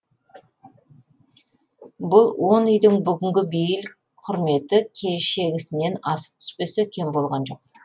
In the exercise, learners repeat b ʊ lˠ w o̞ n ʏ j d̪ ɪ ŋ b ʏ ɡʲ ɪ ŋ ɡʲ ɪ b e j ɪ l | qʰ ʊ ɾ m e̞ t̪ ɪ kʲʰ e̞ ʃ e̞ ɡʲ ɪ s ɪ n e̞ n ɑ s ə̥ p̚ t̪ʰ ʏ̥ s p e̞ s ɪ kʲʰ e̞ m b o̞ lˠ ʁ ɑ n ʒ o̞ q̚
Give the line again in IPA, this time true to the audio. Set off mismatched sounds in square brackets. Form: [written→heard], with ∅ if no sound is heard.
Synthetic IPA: b ʊ lˠ w o̞ n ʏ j d̪ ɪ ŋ b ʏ ɡʲ ɪ ŋ ɡʲ ɪ b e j ɪ l | qʰ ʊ ɾ m e̞ t̪ ɪ kʲʰ e̞ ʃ e̞ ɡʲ ɪ s ɪ n e̞ n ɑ s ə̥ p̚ t̪ʰ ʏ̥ s p e̞ s ɪ kʲʰ e̞ m b o̞ lˠ ʁ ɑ n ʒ o̞ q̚